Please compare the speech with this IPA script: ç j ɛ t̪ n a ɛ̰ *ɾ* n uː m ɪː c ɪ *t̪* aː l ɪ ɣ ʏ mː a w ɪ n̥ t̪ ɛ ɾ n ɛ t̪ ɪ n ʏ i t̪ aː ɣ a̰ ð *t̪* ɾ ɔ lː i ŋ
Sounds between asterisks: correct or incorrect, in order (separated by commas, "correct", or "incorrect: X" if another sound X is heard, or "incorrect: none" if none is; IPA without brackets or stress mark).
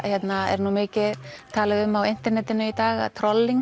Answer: correct, incorrect: t̪ʰ, incorrect: t̪ʰ